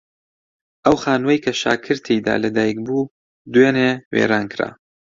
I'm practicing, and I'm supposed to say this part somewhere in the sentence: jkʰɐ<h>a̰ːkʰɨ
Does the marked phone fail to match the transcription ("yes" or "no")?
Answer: yes